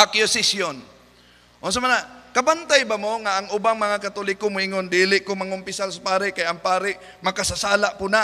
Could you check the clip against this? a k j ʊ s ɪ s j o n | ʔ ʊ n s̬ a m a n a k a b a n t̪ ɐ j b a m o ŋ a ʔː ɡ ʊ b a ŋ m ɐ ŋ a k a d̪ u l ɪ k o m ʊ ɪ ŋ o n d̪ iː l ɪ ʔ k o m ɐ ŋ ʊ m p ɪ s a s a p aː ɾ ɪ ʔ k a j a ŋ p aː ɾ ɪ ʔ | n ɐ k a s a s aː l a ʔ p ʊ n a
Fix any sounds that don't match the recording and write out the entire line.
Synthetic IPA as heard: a k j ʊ s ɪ s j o n | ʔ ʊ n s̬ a m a n a k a b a n t̪ a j b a m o ŋ a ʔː ŋ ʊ b a ŋ m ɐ ŋ a k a t̪ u l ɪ k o m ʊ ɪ ŋ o n d̪ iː l ɪ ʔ k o m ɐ ŋ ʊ m p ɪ s a s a p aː ɾ ɪ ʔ k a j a ŋ p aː ɾ ɪ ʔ | m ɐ k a s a s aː l a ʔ p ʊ n a